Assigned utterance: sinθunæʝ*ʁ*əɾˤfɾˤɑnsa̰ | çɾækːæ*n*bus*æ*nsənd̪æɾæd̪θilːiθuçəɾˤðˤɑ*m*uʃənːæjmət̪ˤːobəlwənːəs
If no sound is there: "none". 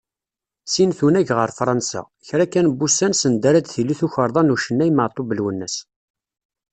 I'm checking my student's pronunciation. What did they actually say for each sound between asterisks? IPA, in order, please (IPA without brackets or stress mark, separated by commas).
ʁ, n, æ, n